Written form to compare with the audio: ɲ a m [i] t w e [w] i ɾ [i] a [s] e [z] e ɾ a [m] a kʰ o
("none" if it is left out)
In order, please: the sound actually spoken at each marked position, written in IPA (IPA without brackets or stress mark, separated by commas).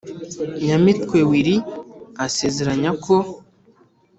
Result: i, w, i, s, z, ɲ